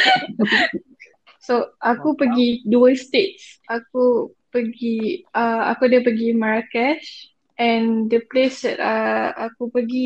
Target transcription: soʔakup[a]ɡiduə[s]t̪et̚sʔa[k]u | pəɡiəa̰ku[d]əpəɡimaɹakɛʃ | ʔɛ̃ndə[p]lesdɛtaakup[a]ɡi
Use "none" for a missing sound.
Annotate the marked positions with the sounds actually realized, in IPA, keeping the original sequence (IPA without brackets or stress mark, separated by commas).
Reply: ə, s, k, d, p, ə